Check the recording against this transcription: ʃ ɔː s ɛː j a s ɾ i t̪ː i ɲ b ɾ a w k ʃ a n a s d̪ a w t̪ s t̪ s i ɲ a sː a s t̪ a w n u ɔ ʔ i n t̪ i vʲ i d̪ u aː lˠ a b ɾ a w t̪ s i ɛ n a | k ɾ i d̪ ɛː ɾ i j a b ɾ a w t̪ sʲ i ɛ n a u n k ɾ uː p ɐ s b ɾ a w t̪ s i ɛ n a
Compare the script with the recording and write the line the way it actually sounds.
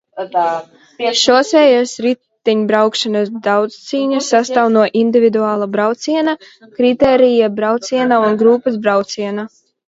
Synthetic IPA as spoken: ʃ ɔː s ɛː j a s ɾ i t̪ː i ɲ b ɾ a w k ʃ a n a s d̪ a w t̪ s t̪ s iː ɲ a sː a s t̪ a w n u ɔ ʔ i n d̪ i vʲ i d̪ u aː lˠ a b ɾ a w t̪ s i ɛ n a | k ɾ i t̪ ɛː ɾ i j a b ɾ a w t̪ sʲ i ɛ n a u n ɡ ɾ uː p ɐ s b ɾ a w t̪ s i ɛ n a